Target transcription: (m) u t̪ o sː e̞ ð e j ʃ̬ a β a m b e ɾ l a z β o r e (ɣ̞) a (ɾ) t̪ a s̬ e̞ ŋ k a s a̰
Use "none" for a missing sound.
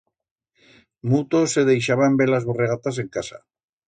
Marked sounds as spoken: m, ɣ̞, none

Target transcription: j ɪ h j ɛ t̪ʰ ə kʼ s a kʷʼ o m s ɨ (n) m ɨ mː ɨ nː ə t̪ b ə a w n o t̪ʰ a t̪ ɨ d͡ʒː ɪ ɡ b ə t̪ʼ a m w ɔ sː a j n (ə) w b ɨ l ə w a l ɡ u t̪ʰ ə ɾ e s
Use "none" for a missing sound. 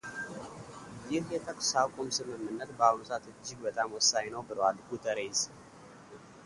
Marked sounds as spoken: none, ə

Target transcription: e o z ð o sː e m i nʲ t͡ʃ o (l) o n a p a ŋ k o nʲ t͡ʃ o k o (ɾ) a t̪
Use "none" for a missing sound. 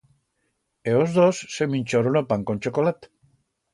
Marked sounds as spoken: ɾ, l

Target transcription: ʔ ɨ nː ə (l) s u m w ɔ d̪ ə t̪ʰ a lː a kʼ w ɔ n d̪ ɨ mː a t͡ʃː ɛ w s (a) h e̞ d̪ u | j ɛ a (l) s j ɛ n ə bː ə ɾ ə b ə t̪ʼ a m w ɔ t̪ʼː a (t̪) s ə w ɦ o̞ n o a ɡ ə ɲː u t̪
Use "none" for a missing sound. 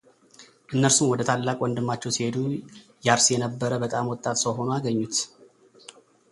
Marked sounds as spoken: ɾ, i, ɾ, t̪

